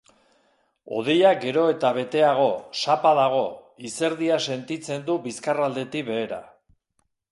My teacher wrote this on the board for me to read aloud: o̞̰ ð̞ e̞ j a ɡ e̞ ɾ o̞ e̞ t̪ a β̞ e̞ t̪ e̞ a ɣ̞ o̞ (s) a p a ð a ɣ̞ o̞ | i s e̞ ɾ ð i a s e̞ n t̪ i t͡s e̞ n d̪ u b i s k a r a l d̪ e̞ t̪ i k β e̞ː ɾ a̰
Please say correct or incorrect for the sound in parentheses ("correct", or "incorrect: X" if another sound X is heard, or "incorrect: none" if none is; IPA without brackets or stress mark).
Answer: correct